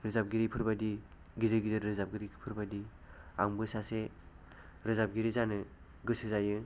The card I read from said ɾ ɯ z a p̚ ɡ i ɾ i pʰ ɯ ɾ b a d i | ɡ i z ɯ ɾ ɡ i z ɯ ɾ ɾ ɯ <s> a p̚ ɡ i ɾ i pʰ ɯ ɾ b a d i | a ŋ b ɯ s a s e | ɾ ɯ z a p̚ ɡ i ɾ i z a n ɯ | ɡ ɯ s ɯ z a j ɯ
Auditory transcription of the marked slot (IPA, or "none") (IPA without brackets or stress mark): z